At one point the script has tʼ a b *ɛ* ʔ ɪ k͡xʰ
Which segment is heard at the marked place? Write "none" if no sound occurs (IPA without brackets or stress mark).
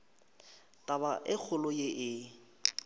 a